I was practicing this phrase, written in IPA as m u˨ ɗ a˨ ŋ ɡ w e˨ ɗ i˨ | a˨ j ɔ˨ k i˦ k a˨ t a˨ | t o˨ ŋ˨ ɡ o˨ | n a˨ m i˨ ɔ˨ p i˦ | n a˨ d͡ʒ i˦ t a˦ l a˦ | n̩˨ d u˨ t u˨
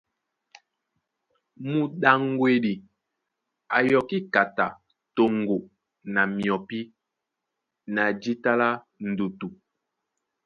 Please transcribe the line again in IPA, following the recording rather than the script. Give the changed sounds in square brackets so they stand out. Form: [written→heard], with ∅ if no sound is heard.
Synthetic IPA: m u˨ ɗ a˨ ŋ ɡ w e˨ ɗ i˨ | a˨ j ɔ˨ k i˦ k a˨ t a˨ | t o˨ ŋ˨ ɡ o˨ | n a˨ m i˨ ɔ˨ p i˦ | n a˨ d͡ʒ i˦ t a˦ l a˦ | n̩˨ d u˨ t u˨